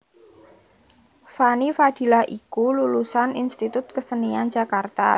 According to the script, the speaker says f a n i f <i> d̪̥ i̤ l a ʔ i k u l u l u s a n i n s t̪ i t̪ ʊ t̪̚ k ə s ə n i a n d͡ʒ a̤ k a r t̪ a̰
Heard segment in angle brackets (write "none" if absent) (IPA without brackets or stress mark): a